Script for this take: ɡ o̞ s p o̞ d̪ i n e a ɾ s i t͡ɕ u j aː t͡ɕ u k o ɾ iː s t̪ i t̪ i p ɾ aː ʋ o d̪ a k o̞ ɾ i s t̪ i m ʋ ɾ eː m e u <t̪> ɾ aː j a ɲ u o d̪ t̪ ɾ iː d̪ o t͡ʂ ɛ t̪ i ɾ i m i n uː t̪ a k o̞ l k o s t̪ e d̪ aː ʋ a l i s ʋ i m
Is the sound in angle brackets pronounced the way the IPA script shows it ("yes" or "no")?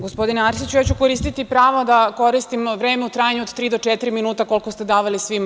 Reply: yes